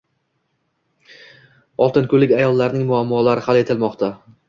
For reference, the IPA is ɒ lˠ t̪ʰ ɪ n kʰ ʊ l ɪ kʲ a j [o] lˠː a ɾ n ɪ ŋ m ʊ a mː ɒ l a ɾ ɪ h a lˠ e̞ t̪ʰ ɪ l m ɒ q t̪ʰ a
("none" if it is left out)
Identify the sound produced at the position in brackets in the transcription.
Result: ɒ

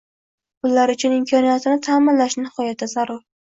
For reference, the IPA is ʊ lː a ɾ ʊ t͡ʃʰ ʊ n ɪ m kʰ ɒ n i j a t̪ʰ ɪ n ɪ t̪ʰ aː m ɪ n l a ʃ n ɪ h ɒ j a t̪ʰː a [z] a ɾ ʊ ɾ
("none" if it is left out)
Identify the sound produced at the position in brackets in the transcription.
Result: z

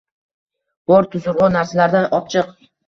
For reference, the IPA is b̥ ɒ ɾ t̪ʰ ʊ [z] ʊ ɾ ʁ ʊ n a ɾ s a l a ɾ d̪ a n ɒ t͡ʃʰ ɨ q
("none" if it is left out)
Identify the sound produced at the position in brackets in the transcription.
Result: z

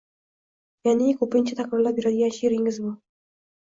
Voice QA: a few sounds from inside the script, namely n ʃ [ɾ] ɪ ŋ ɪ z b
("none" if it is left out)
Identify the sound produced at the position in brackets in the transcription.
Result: ɾ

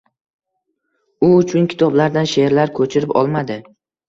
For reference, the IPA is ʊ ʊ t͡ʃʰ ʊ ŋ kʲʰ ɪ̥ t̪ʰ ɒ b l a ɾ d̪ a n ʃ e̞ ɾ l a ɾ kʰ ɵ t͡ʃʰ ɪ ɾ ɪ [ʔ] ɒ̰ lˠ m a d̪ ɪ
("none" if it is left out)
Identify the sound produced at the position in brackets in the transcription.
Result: p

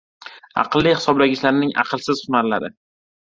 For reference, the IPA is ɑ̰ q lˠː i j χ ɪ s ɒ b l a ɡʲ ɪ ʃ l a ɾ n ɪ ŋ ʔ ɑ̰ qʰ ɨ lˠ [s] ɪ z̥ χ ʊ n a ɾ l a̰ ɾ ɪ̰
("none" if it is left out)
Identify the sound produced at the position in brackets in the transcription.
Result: s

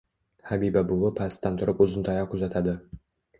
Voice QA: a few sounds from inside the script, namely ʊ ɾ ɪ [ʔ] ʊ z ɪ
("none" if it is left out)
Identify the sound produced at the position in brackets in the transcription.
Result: p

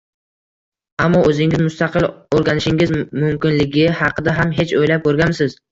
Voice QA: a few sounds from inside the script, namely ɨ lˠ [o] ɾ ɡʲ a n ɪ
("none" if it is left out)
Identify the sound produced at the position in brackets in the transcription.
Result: o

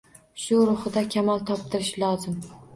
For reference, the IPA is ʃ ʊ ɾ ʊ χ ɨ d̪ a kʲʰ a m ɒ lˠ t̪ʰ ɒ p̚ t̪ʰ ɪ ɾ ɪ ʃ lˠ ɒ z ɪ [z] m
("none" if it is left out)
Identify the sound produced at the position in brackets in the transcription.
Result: none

